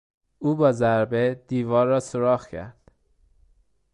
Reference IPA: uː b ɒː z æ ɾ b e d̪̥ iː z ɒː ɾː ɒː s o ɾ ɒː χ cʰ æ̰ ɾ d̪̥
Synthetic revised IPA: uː b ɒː z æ ɾ b e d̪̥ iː v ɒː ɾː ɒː s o ɾ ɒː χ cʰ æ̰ ɾ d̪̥